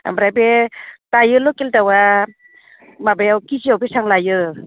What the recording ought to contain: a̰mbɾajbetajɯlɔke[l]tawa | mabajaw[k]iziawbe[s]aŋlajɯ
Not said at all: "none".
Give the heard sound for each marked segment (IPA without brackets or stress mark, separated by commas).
l, k, s